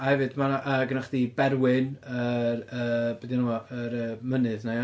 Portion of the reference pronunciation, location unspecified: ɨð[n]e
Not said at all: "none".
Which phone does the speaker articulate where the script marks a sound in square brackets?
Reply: n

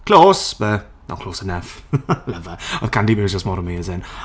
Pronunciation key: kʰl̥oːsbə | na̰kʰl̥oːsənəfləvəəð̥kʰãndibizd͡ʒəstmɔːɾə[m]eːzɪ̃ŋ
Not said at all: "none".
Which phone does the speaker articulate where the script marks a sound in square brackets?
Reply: m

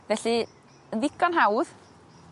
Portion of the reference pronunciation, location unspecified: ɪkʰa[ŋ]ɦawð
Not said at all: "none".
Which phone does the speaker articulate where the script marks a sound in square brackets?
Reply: n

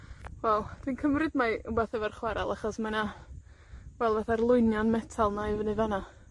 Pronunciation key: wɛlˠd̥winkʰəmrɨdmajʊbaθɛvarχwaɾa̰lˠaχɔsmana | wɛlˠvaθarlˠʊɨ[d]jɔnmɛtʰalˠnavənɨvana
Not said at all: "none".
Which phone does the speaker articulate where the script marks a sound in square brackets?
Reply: n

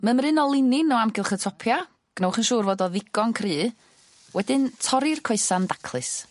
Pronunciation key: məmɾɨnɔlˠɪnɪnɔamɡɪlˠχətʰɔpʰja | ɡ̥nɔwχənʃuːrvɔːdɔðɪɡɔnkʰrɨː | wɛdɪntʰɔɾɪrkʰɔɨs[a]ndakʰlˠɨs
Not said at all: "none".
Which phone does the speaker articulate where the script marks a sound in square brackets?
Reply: a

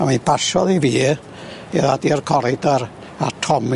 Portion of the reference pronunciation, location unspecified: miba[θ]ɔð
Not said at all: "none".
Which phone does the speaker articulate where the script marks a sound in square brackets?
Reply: ʃ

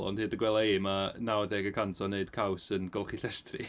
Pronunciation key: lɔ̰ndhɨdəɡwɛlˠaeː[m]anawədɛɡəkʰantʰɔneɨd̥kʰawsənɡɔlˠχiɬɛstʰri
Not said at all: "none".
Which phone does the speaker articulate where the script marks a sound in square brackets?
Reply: m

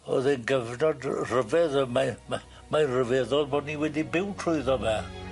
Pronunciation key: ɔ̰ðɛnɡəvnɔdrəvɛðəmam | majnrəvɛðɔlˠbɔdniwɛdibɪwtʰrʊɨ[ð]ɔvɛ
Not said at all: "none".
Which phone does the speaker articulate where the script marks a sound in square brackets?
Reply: ð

